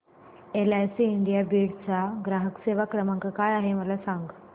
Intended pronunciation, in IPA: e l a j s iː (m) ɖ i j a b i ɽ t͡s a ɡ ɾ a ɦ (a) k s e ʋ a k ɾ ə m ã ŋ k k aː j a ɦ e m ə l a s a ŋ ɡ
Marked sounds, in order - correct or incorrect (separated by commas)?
incorrect, incorrect